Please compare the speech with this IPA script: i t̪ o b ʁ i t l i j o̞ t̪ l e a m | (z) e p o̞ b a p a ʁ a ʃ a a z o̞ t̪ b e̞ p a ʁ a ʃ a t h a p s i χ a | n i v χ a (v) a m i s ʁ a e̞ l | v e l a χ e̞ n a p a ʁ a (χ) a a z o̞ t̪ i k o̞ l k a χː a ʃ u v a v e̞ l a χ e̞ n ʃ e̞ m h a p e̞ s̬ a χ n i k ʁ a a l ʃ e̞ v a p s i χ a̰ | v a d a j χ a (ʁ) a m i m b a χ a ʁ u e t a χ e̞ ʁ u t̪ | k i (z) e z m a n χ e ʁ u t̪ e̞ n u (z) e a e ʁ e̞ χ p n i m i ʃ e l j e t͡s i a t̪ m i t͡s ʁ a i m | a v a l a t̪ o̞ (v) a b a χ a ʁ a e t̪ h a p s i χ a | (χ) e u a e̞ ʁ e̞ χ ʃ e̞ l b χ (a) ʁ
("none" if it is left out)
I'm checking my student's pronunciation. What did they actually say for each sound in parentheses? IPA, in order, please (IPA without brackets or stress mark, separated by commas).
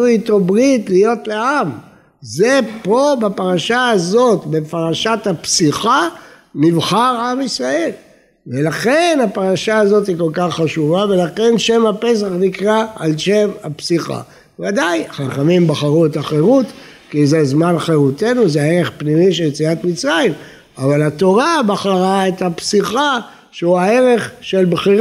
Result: z, ʁ, ʃ, χ, z, z, ʁ, ʃ, i